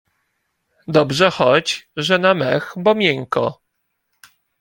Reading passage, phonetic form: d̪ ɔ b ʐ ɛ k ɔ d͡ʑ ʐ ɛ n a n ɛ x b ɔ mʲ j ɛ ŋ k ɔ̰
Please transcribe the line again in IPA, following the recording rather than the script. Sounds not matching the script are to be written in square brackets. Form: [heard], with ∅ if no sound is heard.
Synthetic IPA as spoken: d̪ ɔ b ʐ ɛ [x] ɔ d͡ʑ ʐ ɛ n a [m] ɛ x b ɔ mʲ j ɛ ŋ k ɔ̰

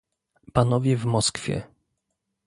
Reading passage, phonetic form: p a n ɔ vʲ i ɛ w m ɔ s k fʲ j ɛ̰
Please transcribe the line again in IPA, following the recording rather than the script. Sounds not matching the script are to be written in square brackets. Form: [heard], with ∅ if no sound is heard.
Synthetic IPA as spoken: p a n ɔ vʲ [j] ɛ [v] m ɔ s k fʲ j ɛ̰

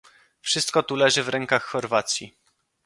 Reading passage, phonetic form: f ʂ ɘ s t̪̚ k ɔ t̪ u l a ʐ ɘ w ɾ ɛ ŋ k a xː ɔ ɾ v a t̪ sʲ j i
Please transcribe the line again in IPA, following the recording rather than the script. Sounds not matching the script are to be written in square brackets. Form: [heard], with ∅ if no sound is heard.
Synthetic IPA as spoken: f ʂ ɘ s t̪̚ k ɔ t̪ u l [ɛ] ʐ ɘ [v] ɾ ɛ ŋ k a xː ɔ ɾ v a t̪ sʲ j i

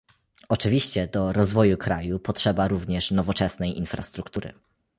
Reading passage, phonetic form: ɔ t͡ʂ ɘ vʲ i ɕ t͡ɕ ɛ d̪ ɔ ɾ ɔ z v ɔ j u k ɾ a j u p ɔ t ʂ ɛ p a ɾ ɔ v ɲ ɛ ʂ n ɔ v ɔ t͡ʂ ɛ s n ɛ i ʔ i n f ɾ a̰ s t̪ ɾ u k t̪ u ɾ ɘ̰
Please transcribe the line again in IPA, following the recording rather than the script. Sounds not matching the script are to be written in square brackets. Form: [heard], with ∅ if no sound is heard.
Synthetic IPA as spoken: ɔ t͡ʂ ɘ vʲ i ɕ t͡ɕ ɛ d̪ ɔ ɾ ɔ z v ɔ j u k ɾ a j u p ɔ t ʂ ɛ [b] a ɾ [u] v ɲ ɛ ʂ n ɔ v ɔ t͡ʂ ɛ s n ɛ [j] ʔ i n f ɾ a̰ s t̪ ɾ u k t̪ u ɾ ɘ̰

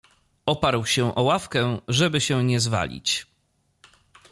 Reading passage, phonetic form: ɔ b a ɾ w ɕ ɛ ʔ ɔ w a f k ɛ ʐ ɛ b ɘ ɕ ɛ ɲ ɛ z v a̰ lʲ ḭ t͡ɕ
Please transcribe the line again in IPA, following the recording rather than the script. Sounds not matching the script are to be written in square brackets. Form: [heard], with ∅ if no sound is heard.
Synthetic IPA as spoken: ɔ [p] a ɾ w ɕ ɛ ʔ ɔ w a f k ɛ ʐ ɛ b ɘ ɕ ɛ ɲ ɛ z v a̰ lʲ ḭ t͡ɕ

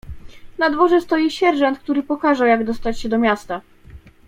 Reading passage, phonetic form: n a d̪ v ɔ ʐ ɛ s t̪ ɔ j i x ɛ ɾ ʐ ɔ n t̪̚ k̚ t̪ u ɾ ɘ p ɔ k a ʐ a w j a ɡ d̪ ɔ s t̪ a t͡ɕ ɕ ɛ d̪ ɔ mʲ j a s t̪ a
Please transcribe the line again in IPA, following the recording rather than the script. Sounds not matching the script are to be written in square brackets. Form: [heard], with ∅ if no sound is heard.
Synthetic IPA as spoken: n a d̪ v ɔ ʐ ɛ s t̪ ɔ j i [ɕ] ɛ ɾ ʐ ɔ n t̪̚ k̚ t̪ u ɾ ɘ p ɔ k a ʐ a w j a ɡ d̪ ɔ s t̪ a t͡ɕ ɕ ɛ d̪ ɔ mʲ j a s t̪ a

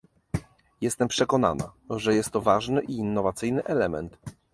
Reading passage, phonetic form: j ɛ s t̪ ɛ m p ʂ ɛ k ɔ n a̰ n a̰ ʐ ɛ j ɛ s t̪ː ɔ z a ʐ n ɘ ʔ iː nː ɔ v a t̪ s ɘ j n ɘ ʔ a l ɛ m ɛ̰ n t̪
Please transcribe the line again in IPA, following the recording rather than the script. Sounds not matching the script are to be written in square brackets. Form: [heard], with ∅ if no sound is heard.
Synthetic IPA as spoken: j ɛ s t̪ ɛ m p ʂ ɛ k ɔ n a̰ n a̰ ʐ ɛ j ɛ s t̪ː ɔ [v] a ʐ n ɘ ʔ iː nː ɔ v a t̪ s ɘ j n ɘ ʔ [ɛ] l ɛ m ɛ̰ n t̪

